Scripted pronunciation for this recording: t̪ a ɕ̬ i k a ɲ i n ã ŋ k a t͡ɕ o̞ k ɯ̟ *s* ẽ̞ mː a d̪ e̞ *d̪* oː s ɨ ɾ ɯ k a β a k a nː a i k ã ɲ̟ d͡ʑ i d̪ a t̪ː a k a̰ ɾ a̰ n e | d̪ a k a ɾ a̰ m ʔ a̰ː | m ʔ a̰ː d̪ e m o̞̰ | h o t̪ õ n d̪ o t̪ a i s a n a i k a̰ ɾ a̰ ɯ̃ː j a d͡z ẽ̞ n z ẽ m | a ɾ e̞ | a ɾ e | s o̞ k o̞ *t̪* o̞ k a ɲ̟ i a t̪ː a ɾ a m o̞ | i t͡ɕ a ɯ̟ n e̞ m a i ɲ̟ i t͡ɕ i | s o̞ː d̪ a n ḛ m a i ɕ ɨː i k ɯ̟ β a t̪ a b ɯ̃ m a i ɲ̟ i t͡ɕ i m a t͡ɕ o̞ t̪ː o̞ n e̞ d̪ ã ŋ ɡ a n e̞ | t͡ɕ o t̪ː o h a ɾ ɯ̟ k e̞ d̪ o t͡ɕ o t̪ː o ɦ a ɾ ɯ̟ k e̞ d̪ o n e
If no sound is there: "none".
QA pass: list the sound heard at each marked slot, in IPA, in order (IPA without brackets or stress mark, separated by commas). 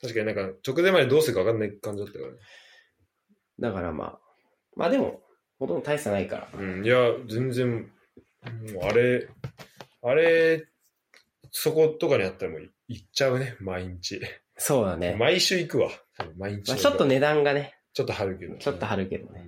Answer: z, d̪, t̪